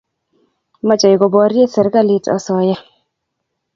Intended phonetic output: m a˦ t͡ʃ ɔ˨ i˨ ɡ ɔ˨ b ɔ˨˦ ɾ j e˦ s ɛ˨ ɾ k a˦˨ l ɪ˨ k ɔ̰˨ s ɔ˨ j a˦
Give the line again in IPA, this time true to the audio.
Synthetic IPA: m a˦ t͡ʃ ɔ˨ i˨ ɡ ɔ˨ b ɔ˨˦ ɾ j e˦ s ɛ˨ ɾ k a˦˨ l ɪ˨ t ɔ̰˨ s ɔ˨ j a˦